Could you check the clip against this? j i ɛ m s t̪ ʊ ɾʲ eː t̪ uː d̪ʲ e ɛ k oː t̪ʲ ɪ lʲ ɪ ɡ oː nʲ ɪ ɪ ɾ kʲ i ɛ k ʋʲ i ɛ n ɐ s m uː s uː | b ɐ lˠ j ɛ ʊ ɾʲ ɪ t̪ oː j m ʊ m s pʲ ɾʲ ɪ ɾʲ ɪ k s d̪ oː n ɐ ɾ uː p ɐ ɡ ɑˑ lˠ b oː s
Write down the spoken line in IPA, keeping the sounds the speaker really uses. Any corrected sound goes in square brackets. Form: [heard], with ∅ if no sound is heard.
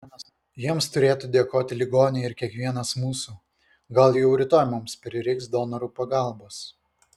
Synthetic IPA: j i ɛ m s t̪ ʊ ɾʲ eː t̪ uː d̪ʲ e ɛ k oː t̪ʲ ɪ lʲ ɪ ɡ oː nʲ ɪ ɪ ɾ kʲ i ɛ k ʋʲ i ɛ n ɐ s m uː s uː | [ɡ] ɐ lˠ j ɛ ʊ ɾʲ ɪ t̪ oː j m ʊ m s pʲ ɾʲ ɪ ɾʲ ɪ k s d̪ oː n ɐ ɾ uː p ɐ ɡ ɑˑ lˠ b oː s